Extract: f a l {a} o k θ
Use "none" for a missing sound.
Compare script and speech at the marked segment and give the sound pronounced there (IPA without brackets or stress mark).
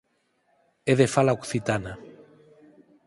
a